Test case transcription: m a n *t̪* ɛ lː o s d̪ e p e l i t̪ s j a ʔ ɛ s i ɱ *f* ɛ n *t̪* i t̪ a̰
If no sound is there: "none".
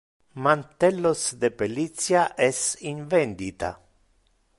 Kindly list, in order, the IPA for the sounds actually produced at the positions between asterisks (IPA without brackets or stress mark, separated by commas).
t̪, v, d̪